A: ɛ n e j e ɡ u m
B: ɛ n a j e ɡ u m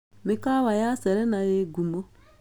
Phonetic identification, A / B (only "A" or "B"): B